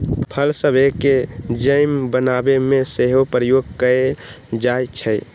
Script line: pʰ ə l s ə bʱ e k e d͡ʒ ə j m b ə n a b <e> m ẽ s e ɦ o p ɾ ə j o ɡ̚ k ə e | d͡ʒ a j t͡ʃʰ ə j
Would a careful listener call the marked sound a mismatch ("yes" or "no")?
no